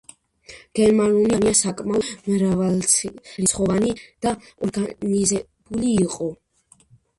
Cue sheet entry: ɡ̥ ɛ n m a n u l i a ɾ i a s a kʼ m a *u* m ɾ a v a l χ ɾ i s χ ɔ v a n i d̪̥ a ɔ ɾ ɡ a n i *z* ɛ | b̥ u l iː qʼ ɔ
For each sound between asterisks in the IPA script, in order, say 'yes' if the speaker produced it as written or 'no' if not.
no, yes

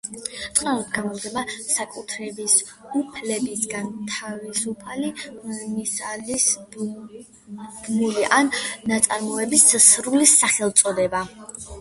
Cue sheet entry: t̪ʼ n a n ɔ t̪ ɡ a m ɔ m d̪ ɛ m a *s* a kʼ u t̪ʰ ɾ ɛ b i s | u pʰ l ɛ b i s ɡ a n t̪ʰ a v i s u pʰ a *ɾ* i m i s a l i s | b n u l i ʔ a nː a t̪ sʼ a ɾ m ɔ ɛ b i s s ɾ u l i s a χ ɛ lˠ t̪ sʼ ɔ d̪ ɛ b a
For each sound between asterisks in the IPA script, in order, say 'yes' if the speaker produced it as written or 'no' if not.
yes, no

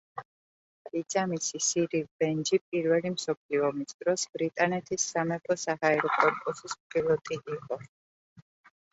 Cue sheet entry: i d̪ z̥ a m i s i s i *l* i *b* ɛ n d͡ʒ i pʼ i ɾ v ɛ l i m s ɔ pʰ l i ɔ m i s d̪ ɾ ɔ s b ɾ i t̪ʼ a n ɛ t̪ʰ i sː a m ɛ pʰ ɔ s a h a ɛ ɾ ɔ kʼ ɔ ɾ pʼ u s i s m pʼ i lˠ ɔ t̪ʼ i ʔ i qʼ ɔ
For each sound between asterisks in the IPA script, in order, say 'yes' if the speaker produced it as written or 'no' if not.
no, yes

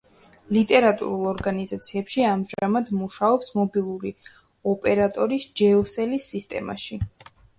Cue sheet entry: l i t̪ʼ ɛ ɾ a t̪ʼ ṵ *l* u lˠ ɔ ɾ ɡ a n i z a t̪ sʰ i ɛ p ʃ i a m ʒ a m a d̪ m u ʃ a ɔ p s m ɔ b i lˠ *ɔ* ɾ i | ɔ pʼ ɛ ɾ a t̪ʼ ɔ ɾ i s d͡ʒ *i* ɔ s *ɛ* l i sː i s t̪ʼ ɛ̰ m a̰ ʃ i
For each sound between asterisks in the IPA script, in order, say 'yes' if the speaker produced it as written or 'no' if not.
no, no, no, yes

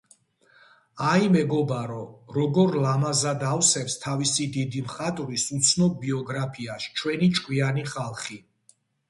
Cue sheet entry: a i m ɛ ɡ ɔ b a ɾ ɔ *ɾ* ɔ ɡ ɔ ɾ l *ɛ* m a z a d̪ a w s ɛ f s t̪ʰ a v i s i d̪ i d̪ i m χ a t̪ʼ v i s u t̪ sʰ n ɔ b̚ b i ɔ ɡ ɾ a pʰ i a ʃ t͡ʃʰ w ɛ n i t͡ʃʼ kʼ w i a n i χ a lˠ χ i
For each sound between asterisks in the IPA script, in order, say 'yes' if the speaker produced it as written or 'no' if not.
yes, no

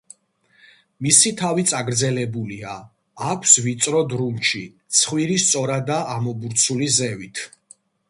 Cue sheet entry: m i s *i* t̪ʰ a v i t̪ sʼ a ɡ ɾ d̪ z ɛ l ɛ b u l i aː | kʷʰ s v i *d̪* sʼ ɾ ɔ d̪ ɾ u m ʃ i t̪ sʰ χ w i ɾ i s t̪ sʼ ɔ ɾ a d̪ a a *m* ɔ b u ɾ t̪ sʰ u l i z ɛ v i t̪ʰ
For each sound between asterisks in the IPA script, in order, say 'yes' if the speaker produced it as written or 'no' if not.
yes, no, yes

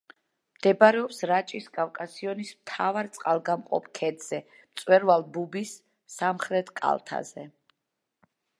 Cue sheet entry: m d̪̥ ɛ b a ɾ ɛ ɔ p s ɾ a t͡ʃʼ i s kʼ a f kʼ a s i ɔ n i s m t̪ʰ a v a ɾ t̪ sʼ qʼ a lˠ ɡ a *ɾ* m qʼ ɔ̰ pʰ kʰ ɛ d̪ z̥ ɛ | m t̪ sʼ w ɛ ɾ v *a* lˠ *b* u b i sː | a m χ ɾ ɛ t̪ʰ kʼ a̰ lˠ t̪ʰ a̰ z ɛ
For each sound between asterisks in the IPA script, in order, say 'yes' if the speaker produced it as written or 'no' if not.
no, yes, yes

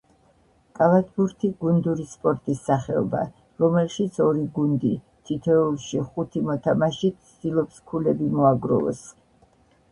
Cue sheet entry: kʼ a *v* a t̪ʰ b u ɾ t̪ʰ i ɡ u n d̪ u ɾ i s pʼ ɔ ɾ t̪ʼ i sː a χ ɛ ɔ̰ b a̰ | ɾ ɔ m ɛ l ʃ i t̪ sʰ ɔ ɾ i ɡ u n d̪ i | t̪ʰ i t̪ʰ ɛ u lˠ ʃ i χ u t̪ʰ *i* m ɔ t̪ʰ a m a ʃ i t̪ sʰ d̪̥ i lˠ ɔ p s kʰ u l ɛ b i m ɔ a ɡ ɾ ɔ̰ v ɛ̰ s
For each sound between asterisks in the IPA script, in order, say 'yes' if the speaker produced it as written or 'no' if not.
yes, yes

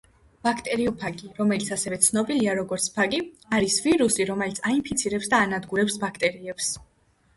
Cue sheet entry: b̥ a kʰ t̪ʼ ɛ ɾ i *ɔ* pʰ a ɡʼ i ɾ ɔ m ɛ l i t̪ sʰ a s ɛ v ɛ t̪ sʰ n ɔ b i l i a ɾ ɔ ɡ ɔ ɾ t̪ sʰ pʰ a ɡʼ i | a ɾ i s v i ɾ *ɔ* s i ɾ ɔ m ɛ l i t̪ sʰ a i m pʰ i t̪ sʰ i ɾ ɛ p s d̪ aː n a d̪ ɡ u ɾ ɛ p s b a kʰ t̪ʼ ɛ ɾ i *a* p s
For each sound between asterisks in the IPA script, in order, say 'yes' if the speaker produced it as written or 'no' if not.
yes, no, no

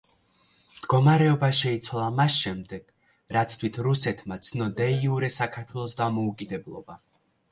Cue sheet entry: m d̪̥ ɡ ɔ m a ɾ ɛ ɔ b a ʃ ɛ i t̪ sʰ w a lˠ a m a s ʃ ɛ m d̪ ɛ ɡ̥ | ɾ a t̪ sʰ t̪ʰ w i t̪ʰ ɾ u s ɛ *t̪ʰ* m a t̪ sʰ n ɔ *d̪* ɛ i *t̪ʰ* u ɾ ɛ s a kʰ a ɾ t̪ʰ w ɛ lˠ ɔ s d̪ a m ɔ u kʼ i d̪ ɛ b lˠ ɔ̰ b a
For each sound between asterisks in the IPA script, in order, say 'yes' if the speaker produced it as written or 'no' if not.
yes, yes, no

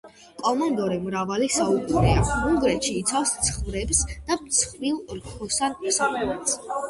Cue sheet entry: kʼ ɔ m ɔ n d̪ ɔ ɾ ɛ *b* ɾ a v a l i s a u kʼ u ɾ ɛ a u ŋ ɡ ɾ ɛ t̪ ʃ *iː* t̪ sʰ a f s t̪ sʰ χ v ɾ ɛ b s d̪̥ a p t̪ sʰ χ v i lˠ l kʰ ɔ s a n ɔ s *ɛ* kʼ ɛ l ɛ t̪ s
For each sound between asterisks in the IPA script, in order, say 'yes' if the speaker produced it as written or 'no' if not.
no, yes, no

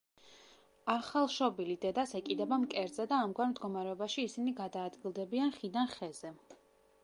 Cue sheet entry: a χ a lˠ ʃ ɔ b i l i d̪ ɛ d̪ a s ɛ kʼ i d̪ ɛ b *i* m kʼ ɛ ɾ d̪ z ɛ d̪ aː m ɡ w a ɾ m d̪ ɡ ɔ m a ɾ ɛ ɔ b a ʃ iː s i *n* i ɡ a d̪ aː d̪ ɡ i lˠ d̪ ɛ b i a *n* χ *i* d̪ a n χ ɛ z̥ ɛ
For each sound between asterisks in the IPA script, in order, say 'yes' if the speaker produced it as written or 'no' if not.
no, yes, yes, yes

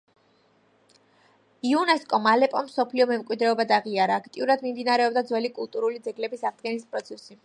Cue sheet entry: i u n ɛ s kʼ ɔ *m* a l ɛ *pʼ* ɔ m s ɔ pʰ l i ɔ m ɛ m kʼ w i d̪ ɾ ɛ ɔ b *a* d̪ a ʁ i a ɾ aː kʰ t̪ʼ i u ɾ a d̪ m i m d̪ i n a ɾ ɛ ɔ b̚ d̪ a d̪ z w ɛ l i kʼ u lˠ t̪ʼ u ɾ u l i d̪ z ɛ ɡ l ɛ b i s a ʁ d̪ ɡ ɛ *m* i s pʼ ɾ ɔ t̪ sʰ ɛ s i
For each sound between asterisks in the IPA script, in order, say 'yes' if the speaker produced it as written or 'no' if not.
yes, yes, yes, no

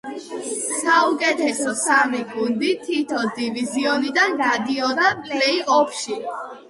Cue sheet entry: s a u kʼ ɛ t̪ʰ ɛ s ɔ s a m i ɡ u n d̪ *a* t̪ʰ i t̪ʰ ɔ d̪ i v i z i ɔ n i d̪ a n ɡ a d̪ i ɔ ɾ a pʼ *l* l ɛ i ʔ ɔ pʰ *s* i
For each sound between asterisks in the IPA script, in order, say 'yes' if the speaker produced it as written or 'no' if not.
no, yes, no

